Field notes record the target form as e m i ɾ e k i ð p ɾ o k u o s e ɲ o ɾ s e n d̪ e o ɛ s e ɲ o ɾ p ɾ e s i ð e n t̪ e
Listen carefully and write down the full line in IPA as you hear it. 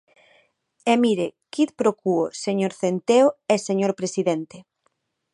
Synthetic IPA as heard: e m i ɾ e k i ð p ɾ o k u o s e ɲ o ɾ θ e n t̪ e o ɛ s e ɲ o ɾ p ɾ e s i ð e n t̪ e